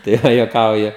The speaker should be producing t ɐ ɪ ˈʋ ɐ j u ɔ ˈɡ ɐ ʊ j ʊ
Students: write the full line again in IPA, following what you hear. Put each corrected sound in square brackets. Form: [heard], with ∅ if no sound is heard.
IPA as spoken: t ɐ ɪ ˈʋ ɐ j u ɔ [ˈk] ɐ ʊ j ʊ